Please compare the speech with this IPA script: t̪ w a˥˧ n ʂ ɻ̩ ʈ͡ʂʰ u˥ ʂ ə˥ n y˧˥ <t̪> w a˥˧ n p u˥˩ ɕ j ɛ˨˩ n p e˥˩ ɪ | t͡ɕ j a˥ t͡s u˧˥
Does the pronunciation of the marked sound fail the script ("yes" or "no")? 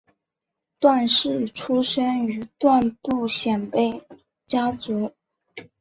no